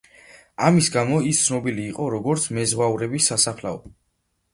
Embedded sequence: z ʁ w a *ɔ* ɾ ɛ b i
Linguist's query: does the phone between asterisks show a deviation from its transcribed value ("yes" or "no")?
yes